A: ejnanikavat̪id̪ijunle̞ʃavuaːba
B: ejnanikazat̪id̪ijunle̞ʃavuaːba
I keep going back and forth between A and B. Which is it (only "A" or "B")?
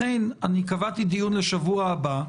A